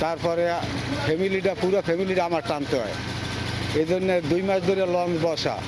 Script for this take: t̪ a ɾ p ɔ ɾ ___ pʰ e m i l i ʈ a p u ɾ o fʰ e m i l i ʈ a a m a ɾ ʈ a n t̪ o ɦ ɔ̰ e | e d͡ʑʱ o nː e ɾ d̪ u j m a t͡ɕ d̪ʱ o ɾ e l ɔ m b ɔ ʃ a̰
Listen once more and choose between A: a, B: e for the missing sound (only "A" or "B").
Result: B